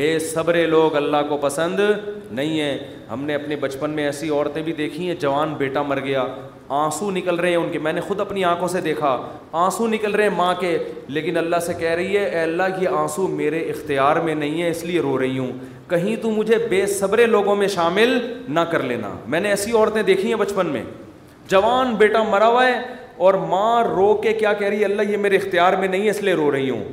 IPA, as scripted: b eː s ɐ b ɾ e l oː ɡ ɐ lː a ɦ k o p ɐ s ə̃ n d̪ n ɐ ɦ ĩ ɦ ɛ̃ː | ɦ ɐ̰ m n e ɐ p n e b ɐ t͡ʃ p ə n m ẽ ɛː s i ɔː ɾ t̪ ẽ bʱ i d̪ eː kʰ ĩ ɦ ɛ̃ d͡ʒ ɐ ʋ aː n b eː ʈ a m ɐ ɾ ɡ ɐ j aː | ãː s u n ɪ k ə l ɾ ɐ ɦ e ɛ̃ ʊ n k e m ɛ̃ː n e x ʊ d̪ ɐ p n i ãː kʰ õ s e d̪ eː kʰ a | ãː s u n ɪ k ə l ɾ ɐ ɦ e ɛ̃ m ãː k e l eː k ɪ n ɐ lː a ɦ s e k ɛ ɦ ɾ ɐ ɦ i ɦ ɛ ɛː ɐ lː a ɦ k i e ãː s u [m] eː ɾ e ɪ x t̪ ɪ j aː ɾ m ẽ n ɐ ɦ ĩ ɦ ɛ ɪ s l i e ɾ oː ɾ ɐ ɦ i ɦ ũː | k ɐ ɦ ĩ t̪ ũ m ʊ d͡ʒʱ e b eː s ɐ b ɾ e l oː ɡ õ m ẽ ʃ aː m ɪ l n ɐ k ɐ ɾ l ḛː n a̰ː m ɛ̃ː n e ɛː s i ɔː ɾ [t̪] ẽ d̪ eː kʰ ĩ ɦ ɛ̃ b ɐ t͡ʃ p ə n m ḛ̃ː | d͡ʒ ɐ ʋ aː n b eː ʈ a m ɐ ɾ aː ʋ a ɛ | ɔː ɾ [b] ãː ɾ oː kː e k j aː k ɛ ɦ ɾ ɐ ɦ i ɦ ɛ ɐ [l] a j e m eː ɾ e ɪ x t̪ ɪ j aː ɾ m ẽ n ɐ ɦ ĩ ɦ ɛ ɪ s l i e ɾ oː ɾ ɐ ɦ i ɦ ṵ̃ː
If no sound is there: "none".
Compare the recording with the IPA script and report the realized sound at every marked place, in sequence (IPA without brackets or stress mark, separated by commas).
m, t̪, m, lː